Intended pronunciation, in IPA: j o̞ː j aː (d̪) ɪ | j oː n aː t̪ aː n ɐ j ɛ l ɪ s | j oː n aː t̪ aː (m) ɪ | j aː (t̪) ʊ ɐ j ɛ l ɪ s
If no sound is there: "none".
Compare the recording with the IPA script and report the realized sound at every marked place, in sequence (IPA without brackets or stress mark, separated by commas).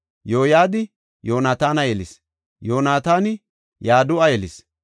d̪, n, d̪